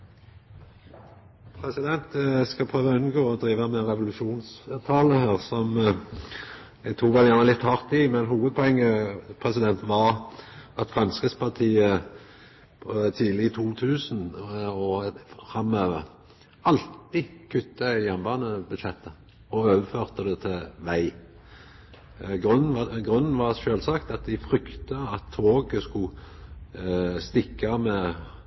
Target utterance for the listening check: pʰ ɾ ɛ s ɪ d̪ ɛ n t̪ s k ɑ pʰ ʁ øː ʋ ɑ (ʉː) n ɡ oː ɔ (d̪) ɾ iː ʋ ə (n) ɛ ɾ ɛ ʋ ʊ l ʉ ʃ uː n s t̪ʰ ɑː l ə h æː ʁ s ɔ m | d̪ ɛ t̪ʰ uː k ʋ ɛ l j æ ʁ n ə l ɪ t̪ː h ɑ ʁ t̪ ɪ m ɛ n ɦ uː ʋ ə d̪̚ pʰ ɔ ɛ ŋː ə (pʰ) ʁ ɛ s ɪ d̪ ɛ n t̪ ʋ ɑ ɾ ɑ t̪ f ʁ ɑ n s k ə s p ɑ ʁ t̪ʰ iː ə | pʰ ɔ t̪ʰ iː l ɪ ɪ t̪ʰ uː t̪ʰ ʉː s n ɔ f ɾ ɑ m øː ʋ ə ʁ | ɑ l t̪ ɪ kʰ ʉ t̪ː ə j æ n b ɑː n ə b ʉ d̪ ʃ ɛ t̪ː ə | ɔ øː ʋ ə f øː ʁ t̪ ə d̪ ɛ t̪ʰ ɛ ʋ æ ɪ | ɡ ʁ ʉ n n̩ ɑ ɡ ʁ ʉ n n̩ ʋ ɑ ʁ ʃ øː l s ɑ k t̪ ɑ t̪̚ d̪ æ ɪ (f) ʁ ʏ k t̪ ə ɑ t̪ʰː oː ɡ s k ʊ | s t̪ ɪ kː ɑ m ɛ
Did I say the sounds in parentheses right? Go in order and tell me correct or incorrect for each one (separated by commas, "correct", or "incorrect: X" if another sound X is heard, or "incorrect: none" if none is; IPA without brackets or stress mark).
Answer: incorrect: ʉ, correct, incorrect: m, correct, correct